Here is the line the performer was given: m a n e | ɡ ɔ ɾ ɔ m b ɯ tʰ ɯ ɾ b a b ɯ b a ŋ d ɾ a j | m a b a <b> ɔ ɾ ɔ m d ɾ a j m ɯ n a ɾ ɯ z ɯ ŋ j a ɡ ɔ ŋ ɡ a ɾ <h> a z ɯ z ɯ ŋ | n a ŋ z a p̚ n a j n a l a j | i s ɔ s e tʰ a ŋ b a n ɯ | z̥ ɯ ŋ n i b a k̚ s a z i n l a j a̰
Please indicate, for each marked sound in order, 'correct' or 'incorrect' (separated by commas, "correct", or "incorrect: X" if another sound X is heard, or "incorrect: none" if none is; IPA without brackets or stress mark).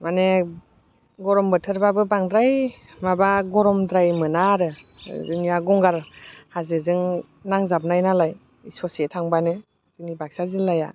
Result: incorrect: ɡ, correct